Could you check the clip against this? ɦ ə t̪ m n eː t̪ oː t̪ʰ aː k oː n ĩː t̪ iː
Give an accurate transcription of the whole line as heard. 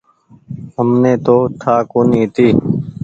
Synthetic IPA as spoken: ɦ ə m n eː t̪ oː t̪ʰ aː k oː n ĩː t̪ iː